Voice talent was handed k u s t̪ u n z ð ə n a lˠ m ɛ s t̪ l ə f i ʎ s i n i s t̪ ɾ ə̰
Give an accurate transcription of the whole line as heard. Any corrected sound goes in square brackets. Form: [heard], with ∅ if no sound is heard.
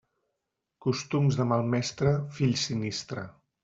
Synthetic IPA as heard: k u s t̪ u [m] z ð ə [m] a lˠ m ɛ s t̪ [ɾ] ə f i ʎ s i n i s t̪ ɾ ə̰